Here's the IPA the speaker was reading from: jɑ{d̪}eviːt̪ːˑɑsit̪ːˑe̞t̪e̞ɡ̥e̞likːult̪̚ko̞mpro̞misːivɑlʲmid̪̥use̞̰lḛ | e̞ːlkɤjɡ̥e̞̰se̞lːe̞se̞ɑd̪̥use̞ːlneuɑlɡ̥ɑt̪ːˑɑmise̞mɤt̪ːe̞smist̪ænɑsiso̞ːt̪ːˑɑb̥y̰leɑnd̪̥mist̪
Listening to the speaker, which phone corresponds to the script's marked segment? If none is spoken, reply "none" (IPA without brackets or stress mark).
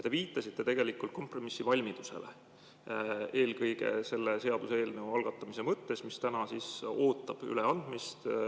t̪